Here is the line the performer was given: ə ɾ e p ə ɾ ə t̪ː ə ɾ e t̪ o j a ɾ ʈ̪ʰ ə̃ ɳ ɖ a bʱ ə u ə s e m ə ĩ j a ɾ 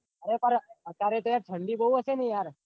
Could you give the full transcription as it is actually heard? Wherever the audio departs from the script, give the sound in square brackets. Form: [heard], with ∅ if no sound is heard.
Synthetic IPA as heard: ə ɾ e p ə ɾ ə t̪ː [a] ɾ e t̪ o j a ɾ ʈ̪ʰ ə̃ ɳ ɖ [i] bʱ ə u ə s e [n] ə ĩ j a ɾ